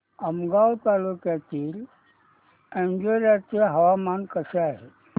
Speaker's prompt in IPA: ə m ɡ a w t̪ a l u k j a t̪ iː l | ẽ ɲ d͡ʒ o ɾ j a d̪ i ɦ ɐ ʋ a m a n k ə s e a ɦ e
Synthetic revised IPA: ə m ɡ a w t̪ a l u k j a t̪ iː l | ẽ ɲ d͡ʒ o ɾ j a t̪ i ɦ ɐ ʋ a m a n k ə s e a ɦ e